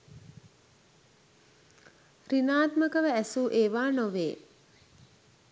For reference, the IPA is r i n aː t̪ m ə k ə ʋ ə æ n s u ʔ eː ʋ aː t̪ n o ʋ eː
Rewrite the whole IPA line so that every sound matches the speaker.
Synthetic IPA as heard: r i n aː t̪ m ə k ə ʋ ə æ s u ʔ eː ʋ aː n o ʋ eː